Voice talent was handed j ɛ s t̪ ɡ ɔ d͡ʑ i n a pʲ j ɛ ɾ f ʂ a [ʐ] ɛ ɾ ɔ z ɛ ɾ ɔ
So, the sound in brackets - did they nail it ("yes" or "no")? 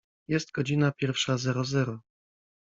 no